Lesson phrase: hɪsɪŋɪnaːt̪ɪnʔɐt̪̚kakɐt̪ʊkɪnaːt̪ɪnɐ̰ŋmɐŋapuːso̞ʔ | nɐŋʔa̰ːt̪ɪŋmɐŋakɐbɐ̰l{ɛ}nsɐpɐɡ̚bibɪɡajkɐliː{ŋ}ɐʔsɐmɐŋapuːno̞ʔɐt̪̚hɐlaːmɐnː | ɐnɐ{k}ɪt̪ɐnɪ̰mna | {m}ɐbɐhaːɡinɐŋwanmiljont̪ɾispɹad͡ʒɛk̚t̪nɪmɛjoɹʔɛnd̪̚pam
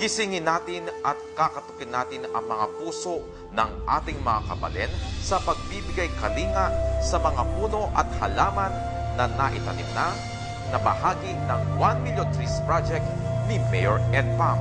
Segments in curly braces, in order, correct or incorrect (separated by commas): correct, correct, incorrect, incorrect